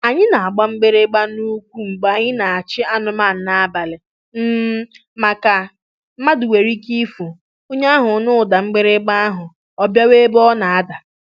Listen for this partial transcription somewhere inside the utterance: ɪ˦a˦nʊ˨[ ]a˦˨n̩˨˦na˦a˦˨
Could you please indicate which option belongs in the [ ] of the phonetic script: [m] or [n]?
m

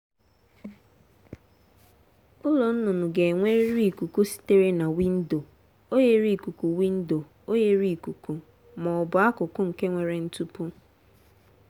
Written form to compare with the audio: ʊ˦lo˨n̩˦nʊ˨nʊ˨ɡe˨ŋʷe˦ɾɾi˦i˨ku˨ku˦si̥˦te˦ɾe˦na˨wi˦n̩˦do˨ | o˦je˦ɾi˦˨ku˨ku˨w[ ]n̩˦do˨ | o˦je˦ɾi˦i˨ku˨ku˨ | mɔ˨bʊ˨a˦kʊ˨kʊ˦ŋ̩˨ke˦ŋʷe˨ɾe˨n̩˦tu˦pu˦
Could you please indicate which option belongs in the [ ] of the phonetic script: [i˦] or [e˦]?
i˦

